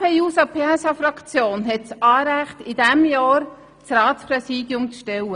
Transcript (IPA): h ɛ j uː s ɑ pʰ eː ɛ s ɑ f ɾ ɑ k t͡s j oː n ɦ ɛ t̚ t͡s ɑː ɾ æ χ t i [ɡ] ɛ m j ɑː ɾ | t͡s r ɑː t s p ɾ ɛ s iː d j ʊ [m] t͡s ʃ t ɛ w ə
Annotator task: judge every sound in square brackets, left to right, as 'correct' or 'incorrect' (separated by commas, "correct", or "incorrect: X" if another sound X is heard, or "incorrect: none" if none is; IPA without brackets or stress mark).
incorrect: d, correct